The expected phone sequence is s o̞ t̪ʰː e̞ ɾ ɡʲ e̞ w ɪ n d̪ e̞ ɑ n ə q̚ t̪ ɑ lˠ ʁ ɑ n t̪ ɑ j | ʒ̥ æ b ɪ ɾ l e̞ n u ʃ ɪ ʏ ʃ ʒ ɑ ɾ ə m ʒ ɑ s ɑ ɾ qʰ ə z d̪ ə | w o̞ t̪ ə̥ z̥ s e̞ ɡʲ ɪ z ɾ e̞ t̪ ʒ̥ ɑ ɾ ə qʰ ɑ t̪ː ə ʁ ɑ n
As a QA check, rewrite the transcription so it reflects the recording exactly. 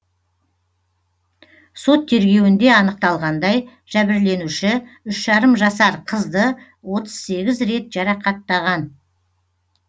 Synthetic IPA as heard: s o̞ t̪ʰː e̞ ɾ ɡʲ e̞ w ɪ n d̪ e̞ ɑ n ə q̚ t̪ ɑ lˠ ʁ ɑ n d̪ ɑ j | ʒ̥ æ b ɪ ɾ l e̞ n u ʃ ɪ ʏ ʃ ʒ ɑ ɾ ə m ʒ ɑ s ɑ ɾ qʰ ə z d̪ ə | w o̞ t̪ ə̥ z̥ s e̞ ɡʲ ɪ z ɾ e̞ t̪ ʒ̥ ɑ ɾ ɑ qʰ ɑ t̪ː ɑ ʁ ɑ n

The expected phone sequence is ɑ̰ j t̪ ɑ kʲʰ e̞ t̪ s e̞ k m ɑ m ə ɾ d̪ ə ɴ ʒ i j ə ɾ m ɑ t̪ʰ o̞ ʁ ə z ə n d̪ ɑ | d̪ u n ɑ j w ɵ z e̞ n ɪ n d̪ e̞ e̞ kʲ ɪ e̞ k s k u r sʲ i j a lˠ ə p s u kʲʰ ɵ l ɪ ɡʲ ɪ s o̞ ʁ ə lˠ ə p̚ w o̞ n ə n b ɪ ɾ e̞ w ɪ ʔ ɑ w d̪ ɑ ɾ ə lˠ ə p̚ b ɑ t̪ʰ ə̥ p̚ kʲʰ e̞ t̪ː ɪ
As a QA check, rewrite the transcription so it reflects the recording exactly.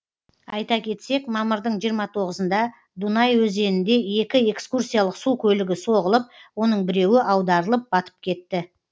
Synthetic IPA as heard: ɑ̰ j t̪ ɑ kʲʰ e̞ t̪ s e̞ k m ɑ m ə ɾ d̪ ə ɴ ʒ i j ə ɾ m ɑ t̪ʰ o̞ ʁ ə z ə n d̪ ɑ | d̪ u n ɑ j w ɵ z e̞ n ɪ n d̪ e̞ e̞ kʲ ɪ e̞ k s k u r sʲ i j a lˠ ə q s u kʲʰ ɵ l ɪ ɡʲ ɪ s o̞ ʁ ə lˠ ə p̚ w o̞ n ə ɴ b ɪ ɾ e̞ w ɪ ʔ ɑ w d̪ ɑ ɾ ə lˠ ə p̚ b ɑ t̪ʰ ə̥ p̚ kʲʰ e̞ t̪ː ɪ

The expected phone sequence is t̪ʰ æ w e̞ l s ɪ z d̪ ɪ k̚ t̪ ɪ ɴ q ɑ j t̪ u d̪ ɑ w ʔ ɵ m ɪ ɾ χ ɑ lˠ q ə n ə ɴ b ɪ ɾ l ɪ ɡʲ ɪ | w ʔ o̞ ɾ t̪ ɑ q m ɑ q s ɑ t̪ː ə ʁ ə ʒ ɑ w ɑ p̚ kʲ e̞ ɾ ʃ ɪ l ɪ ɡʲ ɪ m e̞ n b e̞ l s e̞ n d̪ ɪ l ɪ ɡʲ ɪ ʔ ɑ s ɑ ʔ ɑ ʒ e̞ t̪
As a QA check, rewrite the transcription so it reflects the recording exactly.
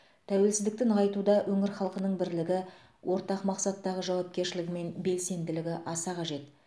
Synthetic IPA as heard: t̪ʰ æ w e̞ l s ɪ z d̪ ɪ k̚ t̪ ɪ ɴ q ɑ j t̪ u d̪ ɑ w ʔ ɵ ŋ ɪ ɾ χ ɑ lˠ q ə n ə ɴ b ɪ ɾ l ɪ ɡʲ ɪ | w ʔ o̞ ɾ t̪ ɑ q m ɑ q s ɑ t̪ː ɑ ʁ ə ʒ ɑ w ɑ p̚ kʲ e̞ ɾ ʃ ɪ l ɪ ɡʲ ɪ m e̞ n b e̞ l s e̞ n d̪ ɪ l ɪ ɡʲ ɪ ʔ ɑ s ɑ q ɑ ʒ e̞ t̪

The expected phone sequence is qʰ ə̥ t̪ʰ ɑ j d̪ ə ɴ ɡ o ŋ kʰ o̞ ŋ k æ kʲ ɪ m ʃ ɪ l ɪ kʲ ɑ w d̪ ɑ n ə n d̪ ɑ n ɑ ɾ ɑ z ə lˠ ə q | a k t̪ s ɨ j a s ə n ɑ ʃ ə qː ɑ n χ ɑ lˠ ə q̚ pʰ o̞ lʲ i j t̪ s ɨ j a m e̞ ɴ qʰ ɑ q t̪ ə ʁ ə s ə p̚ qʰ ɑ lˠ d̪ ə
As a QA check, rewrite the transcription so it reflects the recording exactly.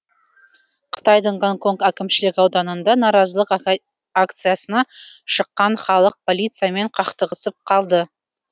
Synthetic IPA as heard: qʰ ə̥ t̪ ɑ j d̪ ə ɴ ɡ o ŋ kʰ o̞ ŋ k æ kʲ ɪ m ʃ ɪ l ɪ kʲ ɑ w d̪ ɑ n ə n d̪ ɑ n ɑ ɾ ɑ z ə lˠ ə q | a k t̪ s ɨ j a s ə n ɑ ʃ ə qː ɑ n χ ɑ lˠ ə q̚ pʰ o̞ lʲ i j t̪ s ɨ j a m e̞ ɴ qʰ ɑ q t̪ ə ʁ ə s ə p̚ qʰ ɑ lˠ d̪ ə

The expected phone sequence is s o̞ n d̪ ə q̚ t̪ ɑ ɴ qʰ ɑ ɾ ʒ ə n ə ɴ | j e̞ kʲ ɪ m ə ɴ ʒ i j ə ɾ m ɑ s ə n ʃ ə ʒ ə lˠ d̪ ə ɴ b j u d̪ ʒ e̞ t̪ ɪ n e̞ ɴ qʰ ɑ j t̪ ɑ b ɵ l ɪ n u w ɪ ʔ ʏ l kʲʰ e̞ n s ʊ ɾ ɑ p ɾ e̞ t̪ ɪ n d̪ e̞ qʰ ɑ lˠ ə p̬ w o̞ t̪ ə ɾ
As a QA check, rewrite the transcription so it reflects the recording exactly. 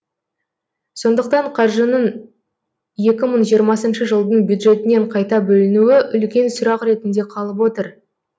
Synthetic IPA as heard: s o̞ n d̪ ə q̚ t̪ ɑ ɴ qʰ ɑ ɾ ʒ ə n ə ɴ | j e̞ kʲ ɪ m ə ɴ ʒ i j ə ɾ m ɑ s ə n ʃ ə ʒ ə lˠ d̪ ə ɴ b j u d̪ ʒ e̞ t̪ ɪ n e̞ ɴ qʰ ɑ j t̪ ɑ b ɵ l ɪ n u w ɪ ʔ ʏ l kʲ e̞ n s ʊ ɾ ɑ q ɾ e̞ t̪ ɪ n d̪ e̞ qʰ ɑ lˠ ə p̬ w o̞ t̪ ə ɾ

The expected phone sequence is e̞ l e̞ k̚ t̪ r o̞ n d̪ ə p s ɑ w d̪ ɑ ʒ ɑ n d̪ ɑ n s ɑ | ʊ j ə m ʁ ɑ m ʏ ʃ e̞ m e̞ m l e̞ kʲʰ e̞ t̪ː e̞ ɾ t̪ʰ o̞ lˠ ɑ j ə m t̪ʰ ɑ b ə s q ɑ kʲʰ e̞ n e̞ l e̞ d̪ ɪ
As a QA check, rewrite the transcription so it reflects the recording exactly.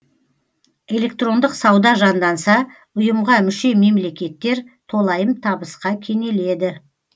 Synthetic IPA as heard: e̞ l e̞ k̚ t̪ r o̞ n d̪ ə q s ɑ w d̪ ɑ ʒ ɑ n d̪ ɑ n s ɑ | ʊ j ə m ʁ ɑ m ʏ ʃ e̞ m e̞ m l e̞ kʲ e̞ t̪ː e̞ ɾ t̪ʰ o̞ lˠ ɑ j ə m t̪ʰ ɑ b ə s q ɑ kʲʰ e̞ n e̞ l e̞ d̪ ɪ

